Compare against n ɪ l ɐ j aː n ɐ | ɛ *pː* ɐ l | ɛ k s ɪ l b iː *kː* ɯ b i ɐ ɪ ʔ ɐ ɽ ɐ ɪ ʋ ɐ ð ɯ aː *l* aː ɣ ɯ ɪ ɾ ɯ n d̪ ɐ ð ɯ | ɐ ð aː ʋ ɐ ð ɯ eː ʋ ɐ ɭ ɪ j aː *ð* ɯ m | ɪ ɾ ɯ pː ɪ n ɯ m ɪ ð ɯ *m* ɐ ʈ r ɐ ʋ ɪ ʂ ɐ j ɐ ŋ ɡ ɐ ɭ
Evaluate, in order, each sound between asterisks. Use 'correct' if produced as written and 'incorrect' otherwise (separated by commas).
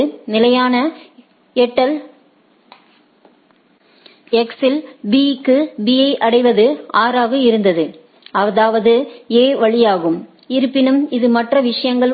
incorrect, correct, incorrect, incorrect, correct